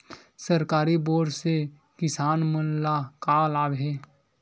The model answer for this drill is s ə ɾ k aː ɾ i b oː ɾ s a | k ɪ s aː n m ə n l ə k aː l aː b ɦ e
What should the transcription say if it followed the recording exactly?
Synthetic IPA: s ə ɾ k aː ɾ i b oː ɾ s e | k ɪ s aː n m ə n l a k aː l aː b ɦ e